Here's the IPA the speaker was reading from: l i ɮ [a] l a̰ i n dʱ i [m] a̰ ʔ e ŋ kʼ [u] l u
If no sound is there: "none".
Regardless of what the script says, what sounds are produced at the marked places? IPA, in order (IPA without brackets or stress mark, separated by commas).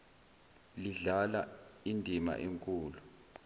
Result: a, m, uː